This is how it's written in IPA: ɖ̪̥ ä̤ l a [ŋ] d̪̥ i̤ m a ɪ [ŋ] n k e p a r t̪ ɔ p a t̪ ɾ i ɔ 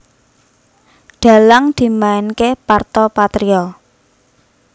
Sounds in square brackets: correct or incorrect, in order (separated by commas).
correct, incorrect